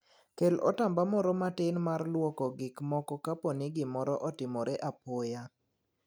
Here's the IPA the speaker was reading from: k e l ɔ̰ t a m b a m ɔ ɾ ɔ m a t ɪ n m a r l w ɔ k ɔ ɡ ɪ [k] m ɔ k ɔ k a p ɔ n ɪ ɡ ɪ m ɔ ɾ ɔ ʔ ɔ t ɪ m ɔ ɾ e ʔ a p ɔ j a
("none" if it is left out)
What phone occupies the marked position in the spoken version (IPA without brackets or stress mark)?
k